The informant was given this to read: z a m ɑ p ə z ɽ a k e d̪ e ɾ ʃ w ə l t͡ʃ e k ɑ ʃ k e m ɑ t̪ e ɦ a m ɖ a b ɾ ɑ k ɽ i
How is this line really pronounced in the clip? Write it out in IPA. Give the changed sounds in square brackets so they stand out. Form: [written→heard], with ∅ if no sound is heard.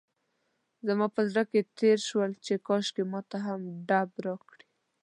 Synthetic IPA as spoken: z a m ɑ p ə z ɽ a k e [d̪→t̪] e ɾ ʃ w ə l t͡ʃ e k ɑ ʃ k e m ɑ t̪ [e→a] ɦ a m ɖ a b ɾ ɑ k ɽ i

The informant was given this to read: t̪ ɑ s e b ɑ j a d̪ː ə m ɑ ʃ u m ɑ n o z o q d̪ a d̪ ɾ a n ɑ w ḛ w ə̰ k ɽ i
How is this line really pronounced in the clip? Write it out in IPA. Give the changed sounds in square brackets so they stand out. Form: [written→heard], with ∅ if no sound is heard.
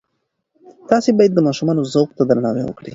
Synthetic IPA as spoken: t̪ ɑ s e b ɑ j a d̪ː ə m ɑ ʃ u m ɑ n o z o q [d̪→t̪] a d̪ ɾ a n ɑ w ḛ w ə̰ k ɽ i

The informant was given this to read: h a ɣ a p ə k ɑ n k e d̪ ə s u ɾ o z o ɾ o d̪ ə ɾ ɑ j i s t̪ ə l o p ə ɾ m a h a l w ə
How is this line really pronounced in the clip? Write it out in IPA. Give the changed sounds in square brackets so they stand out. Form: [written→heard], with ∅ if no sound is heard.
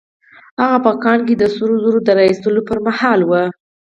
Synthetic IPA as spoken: h a ɣ a p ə k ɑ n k e d̪ ə s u ɾ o z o ɾ o d̪ ə ɾ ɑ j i s t̪ ə l o p ə ɾ m a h [a→ɑ] l w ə

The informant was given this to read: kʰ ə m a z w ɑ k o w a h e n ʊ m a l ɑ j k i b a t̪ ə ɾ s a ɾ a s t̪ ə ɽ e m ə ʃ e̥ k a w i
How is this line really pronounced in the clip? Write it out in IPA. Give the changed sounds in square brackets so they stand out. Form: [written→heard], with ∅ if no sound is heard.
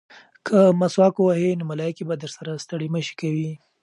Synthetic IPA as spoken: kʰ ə m a [z→s] w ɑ k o w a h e n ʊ m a l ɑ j k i b a [t̪→d̪] ə ɾ s a ɾ a s t̪ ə ɽ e m ə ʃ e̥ k a w i

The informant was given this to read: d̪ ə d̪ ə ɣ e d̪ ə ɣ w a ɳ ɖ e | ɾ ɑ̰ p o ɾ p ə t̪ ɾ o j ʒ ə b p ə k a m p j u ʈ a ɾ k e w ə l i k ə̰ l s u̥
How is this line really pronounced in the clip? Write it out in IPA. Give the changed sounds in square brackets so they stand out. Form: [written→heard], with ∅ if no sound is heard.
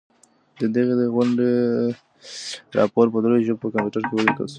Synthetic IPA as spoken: d̪ ə d̪ ə ɣ e d̪ ə ɣ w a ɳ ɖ e | ɾ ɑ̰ p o ɾ p ə [t̪→d̪] ɾ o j ʒ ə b p ə k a m p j u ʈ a ɾ k e w ə l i k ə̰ l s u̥

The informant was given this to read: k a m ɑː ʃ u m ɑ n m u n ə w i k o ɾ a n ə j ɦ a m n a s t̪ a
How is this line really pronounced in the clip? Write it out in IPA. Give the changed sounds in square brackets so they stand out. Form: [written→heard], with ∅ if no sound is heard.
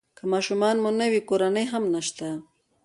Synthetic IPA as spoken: k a m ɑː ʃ u m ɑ n m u n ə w i k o ɾ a n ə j ɦ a m n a [s→ʃ] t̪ a

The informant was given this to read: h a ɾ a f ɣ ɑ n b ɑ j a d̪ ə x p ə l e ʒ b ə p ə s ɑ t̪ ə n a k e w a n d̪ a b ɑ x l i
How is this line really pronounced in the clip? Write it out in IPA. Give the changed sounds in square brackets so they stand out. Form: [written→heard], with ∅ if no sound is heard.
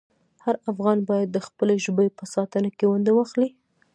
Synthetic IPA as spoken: h a ɾ a f ɣ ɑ n b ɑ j a [d̪→d̪ː] ə x p ə l e ʒ b ə p ə s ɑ t̪ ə n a k e w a n d̪ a [b→w] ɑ x l i

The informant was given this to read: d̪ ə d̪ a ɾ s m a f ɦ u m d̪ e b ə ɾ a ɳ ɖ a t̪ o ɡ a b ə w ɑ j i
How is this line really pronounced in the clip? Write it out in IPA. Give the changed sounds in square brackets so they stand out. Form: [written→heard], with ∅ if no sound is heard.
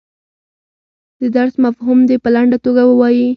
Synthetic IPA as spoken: d̪ ə d̪ a ɾ s m a f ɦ u m d̪ e [b→p] ə [ɾ→l] a ɳ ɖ a t̪ o ɡ a [b→w] ə w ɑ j i

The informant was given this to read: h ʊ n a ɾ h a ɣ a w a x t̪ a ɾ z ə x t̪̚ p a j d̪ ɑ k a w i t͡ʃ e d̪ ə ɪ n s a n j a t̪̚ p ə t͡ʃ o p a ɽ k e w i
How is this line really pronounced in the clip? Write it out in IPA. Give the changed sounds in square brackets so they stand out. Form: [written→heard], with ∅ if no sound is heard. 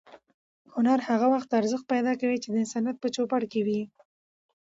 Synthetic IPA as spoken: h ʊ n a ɾ h a ɣ a w a x t̪ a ɾ z ə x t̪̚ p a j d̪ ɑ k a w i t͡ʃ e d̪ ə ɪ n s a n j a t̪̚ p ə t͡ʃ o p a ɽ k e w i

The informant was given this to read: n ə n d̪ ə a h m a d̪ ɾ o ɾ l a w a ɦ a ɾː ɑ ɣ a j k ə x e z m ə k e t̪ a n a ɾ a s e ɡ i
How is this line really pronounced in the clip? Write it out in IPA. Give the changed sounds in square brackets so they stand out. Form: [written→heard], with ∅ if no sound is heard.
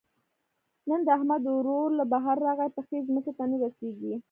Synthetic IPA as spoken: n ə n d̪ ə a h m a d̪ ɾ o ɾ l a [w→b] a ɦ a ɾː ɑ ɣ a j [k→p] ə x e z m ə k e t̪ a n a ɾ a s e ɡ i

